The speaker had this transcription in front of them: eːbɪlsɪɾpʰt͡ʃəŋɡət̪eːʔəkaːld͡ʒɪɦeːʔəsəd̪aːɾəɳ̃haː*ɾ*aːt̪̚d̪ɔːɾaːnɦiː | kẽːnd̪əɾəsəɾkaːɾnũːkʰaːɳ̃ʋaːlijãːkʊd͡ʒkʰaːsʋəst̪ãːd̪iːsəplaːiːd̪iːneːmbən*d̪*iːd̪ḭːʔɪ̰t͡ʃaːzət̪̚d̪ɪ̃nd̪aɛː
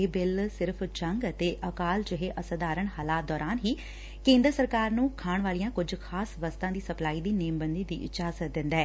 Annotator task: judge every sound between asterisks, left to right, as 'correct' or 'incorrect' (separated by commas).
incorrect, correct